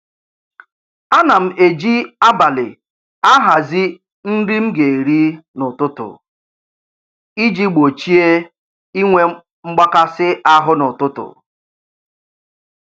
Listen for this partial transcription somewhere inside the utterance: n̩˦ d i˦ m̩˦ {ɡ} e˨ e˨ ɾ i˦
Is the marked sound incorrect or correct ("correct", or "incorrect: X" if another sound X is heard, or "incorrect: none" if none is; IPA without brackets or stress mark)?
correct